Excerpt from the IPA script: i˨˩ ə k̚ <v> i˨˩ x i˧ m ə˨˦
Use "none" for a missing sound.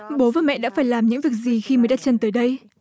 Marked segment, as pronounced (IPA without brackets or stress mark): z